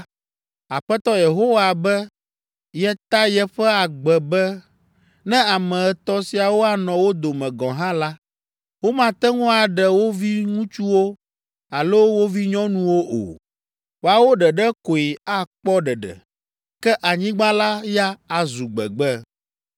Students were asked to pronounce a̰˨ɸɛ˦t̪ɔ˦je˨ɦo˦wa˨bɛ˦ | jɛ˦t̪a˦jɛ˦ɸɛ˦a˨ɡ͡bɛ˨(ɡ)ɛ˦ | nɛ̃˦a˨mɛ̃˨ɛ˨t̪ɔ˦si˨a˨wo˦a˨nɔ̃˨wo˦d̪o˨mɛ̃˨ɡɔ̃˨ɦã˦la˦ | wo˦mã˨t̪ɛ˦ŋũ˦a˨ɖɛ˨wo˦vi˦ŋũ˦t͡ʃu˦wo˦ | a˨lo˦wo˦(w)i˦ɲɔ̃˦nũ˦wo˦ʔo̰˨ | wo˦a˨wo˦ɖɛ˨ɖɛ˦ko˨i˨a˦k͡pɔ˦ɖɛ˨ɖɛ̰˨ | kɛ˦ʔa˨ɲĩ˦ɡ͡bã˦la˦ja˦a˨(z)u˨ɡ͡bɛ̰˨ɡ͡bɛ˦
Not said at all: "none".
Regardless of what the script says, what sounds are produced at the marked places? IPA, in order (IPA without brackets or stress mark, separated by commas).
b, v, z